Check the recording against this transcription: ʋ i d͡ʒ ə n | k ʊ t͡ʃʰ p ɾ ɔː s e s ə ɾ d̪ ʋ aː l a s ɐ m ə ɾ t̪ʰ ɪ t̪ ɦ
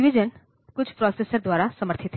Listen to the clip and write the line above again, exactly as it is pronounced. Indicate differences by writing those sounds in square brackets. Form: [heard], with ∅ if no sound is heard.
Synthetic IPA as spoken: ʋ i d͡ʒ ə n | k ʊ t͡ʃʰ p ɾ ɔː s e s ə ɾ d̪ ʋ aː [ɾ] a s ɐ m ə ɾ t̪ʰ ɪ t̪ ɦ